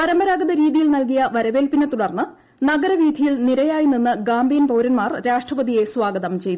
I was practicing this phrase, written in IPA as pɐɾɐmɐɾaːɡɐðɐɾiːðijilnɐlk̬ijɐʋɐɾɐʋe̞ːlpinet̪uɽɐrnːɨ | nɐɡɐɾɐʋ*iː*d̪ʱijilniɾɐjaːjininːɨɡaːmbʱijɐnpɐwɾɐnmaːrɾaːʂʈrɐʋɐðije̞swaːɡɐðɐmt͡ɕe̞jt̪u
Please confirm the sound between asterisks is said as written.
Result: yes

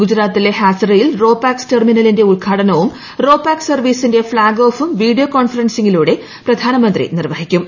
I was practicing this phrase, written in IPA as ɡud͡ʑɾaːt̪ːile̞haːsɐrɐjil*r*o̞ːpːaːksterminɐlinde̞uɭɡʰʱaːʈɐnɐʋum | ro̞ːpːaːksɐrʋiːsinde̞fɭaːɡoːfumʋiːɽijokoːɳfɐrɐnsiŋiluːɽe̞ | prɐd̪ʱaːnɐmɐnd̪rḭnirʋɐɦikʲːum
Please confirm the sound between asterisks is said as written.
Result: yes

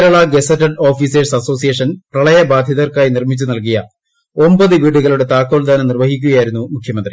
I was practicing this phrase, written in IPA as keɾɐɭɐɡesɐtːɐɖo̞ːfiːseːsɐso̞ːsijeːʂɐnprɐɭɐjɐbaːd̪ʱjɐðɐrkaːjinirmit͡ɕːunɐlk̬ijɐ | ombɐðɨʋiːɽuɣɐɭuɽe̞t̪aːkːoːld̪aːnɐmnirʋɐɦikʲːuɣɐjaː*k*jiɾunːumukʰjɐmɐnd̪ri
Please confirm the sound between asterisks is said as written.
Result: no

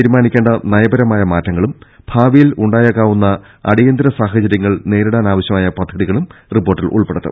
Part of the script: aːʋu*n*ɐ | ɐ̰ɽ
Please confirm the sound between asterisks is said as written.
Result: no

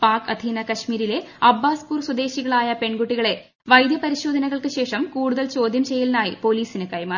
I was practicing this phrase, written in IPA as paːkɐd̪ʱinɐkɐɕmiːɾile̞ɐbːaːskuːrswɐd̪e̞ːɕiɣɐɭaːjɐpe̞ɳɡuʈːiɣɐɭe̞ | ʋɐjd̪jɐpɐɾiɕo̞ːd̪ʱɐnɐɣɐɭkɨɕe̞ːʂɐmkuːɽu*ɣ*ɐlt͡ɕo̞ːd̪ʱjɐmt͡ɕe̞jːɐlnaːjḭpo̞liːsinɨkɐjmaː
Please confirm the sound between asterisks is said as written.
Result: no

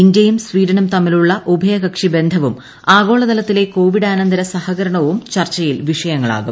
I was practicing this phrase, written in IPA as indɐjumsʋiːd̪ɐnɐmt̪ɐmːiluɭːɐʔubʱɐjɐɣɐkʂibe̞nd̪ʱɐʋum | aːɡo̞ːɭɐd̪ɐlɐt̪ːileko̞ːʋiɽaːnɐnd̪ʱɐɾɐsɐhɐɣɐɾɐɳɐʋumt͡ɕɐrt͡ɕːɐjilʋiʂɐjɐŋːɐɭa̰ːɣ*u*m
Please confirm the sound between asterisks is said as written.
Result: yes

